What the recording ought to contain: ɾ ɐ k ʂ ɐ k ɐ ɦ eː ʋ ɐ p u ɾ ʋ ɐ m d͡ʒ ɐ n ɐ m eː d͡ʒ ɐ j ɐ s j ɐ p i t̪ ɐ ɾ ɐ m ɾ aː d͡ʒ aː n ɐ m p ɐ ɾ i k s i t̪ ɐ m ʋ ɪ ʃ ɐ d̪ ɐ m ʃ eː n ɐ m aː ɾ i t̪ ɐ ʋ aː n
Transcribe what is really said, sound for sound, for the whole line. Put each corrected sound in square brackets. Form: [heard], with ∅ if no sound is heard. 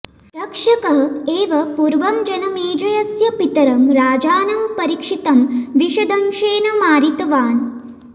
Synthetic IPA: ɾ ɐ k ʂ ɐ k ɐ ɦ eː ʋ ɐ p u ɾ ʋ ɐ m d͡ʒ ɐ n ɐ m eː d͡ʒ ɐ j ɐ s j ɐ p i t̪ ɐ ɾ ɐ m ɾ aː d͡ʒ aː n ɐ m p ɐ ɾ i k [ʂ] i t̪ ɐ m ʋ [i] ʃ ɐ d̪ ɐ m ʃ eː n ɐ m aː ɾ i t̪ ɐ ʋ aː n